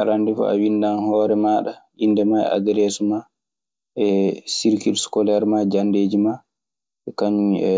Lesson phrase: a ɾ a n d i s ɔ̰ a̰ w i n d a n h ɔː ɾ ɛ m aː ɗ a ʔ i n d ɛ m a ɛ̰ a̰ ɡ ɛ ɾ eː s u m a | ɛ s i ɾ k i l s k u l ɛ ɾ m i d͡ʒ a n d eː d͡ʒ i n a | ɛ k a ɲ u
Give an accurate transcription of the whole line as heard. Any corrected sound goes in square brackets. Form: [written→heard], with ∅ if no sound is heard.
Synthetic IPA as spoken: a ɾ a n d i [s→f] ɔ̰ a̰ w i n d a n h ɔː ɾ ɛ m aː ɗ a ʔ i n d ɛ m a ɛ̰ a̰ ɡ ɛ ɾ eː s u m a | ɛ s i ɾ k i l s k [u→ɔ] l ɛ ɾ m [i→a] d͡ʒ a n d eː d͡ʒ i [n→m] a | ɛ k a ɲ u